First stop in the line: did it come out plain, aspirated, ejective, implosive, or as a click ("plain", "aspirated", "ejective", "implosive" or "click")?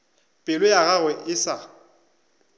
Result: ejective